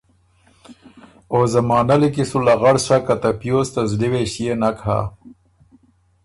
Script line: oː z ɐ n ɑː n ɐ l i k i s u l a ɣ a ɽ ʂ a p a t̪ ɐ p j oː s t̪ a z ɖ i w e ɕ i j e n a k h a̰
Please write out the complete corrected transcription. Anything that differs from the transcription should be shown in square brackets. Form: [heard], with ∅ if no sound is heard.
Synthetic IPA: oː z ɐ [m] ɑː n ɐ l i k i s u l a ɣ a ɽ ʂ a [k] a t̪ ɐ p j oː s t̪ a z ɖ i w e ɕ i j e n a k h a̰